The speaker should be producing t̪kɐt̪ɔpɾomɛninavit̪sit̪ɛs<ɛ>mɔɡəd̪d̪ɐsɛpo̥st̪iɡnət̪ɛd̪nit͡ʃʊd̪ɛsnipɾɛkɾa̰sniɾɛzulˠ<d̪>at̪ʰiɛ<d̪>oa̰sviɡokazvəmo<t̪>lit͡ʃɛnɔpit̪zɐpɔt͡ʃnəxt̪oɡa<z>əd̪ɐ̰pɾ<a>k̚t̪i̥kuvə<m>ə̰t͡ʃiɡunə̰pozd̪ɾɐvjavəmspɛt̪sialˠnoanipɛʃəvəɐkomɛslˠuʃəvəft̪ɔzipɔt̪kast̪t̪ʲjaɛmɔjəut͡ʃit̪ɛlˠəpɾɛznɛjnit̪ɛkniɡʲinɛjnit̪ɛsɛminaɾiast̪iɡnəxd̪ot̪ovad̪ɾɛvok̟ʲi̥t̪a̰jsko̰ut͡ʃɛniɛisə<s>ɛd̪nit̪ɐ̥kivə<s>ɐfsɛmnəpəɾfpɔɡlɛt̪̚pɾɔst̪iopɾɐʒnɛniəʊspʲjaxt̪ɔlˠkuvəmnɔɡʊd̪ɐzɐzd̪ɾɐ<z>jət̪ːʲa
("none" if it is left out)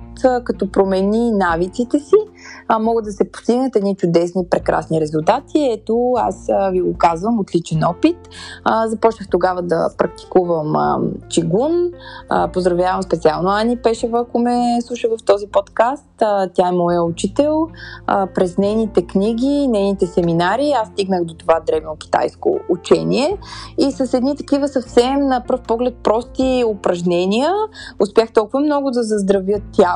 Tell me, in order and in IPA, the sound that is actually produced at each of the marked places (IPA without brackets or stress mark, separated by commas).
i, t̪, t̪, t̪, v, ɐ, m, s, s, v